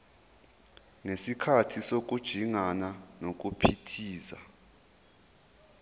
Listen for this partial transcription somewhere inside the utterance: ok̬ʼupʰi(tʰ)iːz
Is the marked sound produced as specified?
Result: yes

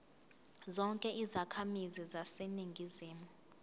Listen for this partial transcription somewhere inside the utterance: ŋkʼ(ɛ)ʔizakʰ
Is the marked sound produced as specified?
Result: yes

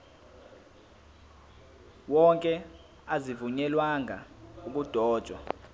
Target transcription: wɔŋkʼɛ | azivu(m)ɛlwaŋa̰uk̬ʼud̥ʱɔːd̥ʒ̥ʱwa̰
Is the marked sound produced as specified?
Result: no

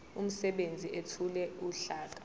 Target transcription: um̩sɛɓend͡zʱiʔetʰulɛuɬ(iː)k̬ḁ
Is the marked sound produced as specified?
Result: no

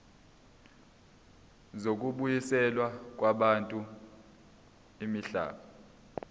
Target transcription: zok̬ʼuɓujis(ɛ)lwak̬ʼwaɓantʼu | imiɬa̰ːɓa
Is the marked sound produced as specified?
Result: yes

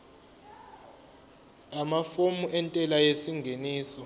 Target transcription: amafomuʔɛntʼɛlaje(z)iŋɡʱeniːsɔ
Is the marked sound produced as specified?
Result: no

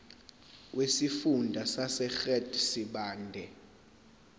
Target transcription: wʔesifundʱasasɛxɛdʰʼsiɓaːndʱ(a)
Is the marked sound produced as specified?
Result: no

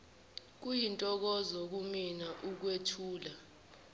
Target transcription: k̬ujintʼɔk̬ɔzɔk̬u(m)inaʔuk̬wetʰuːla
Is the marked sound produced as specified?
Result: yes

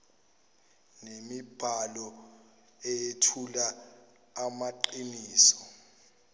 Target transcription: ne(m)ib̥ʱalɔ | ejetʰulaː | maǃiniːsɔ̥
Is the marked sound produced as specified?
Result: yes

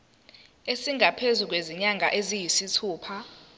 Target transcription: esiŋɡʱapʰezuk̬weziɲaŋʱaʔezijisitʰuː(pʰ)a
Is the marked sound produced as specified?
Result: yes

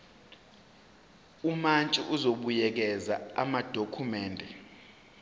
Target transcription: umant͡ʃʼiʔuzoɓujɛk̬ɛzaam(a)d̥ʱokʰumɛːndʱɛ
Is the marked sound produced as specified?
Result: yes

